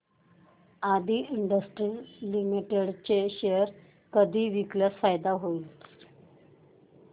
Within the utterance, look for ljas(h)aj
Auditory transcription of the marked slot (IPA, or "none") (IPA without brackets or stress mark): f